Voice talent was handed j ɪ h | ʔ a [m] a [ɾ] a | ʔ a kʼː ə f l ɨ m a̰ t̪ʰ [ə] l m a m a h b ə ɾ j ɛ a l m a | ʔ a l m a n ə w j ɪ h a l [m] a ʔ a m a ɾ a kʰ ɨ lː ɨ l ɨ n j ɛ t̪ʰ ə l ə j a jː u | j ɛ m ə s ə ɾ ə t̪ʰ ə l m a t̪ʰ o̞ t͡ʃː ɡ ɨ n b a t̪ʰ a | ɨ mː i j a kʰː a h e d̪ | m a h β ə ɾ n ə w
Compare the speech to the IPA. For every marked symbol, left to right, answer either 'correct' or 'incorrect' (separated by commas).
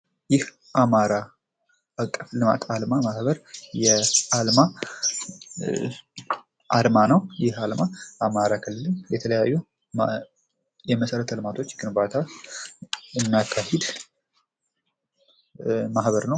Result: correct, correct, incorrect, correct